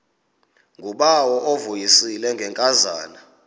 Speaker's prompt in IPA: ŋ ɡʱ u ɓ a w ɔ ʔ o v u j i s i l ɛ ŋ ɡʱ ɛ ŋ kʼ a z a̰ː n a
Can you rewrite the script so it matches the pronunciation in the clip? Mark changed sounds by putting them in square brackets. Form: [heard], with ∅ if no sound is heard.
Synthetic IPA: ŋ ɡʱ u ɓ a w ɔ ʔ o v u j i s i l ɛ ŋ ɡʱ ɛ ŋ kʼ a z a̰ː n a